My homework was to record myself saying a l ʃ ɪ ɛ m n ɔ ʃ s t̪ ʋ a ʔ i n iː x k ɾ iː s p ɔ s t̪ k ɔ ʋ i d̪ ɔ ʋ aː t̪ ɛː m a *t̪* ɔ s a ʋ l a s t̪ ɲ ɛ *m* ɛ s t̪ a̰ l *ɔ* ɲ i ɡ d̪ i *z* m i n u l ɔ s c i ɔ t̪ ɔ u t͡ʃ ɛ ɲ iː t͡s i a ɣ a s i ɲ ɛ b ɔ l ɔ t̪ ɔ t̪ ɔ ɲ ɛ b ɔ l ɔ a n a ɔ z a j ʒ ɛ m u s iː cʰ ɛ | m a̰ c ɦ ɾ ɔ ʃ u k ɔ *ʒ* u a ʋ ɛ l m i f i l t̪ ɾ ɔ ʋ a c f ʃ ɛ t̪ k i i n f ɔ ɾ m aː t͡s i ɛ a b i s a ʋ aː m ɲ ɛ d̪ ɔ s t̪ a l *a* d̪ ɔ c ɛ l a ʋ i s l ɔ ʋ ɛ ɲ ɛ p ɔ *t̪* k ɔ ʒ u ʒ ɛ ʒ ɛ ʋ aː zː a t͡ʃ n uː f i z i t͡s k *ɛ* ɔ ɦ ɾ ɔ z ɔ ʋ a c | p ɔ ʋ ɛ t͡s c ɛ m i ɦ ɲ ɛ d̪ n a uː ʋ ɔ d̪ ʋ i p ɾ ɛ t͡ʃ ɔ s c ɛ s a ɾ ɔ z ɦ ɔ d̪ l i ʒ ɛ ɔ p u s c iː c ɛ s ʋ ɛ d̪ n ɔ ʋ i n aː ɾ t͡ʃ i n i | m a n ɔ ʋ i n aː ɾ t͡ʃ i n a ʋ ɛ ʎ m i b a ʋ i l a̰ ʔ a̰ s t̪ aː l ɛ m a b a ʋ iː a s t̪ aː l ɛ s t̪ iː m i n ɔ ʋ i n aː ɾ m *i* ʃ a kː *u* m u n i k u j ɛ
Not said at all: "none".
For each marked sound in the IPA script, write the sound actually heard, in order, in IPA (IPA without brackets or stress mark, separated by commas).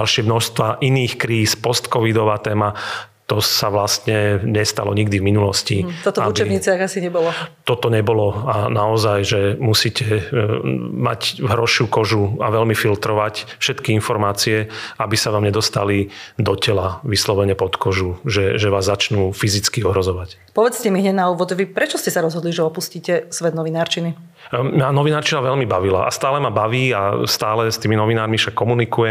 t̪, ɲ, ɔ, v, ʒ, i, t̪, i, i, ɔ